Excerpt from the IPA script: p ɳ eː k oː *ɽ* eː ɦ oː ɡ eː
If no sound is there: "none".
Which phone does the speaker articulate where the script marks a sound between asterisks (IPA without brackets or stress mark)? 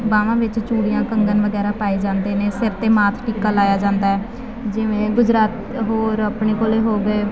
l